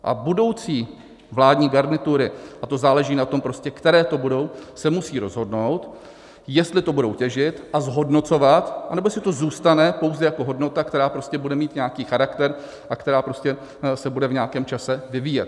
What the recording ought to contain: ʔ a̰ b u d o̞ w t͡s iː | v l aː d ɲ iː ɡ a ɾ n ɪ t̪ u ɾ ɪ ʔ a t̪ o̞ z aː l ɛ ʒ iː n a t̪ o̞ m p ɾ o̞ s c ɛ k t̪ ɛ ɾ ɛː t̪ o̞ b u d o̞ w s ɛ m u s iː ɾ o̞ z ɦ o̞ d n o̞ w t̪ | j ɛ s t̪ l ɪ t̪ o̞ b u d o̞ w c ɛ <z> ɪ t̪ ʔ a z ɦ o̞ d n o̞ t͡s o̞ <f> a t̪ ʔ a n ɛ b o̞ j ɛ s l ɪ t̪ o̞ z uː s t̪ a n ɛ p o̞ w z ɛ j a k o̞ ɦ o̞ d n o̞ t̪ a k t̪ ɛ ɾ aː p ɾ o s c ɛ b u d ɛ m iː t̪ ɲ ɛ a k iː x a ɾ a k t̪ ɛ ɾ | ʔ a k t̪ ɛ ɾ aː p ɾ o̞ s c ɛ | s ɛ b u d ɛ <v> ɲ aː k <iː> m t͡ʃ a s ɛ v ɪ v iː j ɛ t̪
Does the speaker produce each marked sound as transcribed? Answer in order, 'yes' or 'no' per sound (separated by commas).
no, no, yes, no